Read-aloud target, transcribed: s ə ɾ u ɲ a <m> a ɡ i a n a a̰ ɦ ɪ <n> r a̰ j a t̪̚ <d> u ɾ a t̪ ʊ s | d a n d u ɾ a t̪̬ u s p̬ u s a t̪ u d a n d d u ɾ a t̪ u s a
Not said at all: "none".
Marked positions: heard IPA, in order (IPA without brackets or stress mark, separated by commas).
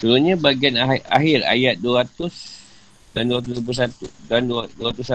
b, none, d